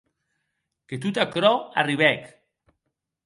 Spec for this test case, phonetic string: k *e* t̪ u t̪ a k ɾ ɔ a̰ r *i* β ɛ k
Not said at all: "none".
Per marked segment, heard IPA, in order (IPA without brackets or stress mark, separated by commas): e, i